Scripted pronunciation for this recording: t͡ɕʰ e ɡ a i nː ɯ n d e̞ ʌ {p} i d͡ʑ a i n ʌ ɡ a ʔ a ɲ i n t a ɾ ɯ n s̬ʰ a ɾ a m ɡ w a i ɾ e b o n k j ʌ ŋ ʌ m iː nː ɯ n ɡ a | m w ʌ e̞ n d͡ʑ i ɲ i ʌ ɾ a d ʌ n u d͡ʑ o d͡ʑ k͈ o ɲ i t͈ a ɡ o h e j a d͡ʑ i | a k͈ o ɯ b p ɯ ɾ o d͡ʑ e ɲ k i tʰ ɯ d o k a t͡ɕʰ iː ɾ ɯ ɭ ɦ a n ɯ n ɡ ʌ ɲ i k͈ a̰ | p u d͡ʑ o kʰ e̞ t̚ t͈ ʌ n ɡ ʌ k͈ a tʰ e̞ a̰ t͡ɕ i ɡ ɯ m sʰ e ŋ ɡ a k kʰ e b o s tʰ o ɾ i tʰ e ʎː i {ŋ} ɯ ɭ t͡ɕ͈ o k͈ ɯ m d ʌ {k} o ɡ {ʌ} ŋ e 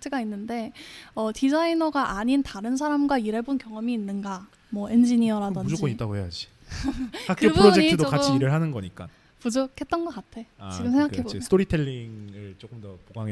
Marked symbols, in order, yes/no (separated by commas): no, yes, no, no